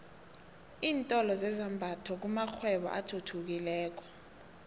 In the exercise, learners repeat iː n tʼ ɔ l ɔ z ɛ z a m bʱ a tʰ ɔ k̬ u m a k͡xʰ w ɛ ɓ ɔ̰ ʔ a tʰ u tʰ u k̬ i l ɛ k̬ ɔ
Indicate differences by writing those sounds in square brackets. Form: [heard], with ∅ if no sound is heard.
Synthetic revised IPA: iː n tʼ ɔ l ɔ z ɛ z a m bʱ a tʰ ɔ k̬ u m a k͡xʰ w ɛ ɓ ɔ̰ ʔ a tʰ u tʰ u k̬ i l [ɛː] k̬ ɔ